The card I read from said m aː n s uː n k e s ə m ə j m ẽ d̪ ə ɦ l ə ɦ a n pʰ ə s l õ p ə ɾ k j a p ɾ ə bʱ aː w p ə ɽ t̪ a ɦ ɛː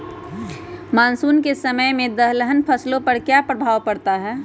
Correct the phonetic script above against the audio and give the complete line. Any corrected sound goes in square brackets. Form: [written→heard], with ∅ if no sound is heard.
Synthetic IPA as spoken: m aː n s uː n k e s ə m ə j m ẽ d̪ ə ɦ l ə ɦ [a→ə] n pʰ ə s l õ p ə ɾ k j a p ɾ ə bʱ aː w p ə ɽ t̪ a ɦ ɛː